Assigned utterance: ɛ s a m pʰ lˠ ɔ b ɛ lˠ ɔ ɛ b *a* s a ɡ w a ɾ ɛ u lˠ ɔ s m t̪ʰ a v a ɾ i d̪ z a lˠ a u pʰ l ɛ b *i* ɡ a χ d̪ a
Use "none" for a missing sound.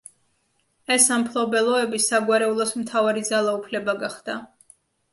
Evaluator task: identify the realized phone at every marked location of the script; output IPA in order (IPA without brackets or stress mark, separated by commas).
i, a